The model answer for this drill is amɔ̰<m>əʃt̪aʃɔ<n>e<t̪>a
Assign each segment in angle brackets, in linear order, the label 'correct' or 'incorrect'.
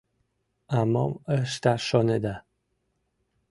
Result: correct, correct, incorrect

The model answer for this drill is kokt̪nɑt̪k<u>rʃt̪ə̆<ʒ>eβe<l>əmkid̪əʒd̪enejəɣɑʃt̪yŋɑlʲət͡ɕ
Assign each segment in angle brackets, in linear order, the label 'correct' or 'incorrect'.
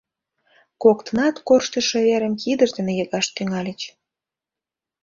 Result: incorrect, incorrect, incorrect

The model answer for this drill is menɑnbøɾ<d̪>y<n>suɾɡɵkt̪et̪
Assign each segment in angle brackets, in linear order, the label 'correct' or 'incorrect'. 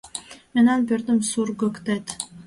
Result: correct, incorrect

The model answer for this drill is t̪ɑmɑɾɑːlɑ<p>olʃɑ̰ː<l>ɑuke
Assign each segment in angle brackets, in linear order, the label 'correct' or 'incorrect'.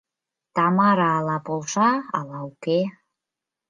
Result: correct, correct

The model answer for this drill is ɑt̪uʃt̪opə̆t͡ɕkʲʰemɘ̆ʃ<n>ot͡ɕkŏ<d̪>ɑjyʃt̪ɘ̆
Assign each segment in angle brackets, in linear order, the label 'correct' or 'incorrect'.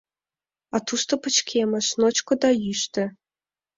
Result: correct, correct

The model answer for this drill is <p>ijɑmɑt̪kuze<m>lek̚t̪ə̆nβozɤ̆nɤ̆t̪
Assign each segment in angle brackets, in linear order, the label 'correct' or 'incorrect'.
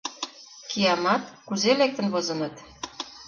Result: incorrect, incorrect

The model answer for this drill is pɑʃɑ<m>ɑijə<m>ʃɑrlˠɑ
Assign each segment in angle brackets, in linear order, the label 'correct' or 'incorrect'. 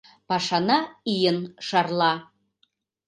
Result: incorrect, incorrect

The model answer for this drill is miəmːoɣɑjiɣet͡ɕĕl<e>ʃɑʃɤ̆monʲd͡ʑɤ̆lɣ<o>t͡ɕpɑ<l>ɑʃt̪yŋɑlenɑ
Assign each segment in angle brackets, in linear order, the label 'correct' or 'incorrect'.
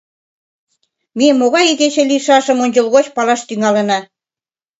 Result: incorrect, correct, correct

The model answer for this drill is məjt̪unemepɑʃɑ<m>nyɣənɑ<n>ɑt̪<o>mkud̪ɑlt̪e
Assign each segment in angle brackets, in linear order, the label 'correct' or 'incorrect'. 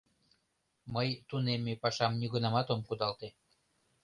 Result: correct, incorrect, correct

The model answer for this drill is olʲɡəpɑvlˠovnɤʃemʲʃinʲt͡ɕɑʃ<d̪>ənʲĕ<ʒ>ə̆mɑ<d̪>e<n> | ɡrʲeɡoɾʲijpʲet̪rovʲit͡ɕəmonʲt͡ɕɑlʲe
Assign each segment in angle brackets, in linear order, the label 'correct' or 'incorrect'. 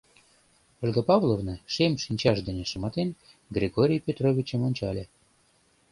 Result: correct, incorrect, incorrect, correct

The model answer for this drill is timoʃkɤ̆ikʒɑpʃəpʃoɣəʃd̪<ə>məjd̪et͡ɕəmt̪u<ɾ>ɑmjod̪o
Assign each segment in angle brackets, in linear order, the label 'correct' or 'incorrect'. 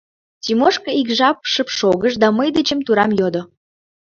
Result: incorrect, correct

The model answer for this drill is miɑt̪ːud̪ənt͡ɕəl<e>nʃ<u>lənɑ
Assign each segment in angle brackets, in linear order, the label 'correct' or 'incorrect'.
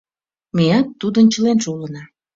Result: correct, correct

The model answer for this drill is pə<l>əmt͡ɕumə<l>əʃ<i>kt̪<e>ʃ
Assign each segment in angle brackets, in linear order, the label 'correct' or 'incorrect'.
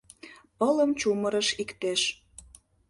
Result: correct, incorrect, correct, correct

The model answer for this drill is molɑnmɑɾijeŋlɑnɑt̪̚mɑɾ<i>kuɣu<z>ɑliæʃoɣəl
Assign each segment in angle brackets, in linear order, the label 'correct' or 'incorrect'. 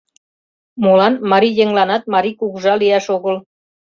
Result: correct, incorrect

